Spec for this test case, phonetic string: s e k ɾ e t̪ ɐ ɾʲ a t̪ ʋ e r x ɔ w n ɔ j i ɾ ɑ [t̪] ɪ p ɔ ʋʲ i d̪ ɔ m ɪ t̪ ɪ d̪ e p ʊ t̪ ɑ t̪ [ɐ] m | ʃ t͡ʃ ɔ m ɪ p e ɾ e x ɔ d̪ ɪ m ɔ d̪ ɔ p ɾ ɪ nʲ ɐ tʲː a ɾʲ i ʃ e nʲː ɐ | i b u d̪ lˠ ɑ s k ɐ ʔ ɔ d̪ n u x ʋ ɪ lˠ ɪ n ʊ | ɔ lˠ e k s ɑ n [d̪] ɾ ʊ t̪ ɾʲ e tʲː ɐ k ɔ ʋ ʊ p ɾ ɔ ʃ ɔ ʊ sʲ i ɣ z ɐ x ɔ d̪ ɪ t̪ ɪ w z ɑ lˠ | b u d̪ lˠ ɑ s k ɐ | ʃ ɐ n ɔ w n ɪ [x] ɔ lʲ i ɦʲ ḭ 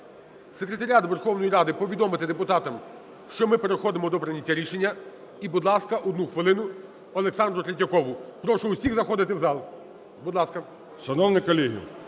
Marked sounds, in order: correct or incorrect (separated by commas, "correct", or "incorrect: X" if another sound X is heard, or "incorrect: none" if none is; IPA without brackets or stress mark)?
incorrect: d̪, correct, correct, incorrect: k